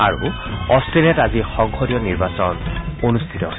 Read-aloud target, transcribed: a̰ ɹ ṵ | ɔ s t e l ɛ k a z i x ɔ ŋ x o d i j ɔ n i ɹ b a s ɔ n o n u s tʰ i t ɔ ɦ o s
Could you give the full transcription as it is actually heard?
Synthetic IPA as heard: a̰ ɹ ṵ | ɔ s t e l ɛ t a z i x ɔ ŋ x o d i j ɔ n i ɹ b a s ɔ n o n u s tʰ i t ɔ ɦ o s